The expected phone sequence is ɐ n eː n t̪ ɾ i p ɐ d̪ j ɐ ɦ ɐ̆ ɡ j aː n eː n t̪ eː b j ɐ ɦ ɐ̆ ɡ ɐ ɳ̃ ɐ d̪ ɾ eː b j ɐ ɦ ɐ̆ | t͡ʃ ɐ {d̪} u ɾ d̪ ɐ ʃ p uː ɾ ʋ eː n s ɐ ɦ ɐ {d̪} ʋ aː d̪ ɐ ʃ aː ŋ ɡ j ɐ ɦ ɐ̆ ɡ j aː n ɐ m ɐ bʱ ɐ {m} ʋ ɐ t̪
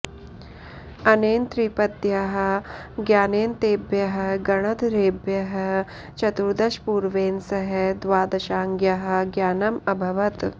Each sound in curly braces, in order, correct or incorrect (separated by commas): incorrect, correct, incorrect